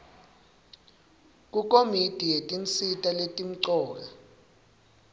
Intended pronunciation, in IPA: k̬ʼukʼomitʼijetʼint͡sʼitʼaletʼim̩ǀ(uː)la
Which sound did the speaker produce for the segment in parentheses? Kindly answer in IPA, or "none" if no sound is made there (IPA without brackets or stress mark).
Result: ɔː